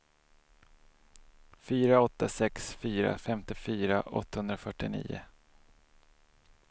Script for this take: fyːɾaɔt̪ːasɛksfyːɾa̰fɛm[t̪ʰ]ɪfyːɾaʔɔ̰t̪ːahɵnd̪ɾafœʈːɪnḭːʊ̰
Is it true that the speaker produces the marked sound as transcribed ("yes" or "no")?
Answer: no